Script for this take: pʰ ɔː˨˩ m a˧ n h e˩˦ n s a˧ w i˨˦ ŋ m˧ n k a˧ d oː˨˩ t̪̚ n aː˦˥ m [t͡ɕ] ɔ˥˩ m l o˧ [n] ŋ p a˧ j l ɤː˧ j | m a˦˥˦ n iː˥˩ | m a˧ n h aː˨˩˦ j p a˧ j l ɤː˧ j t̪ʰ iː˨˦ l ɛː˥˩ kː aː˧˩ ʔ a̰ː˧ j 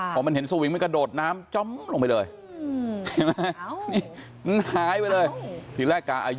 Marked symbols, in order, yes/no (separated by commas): yes, no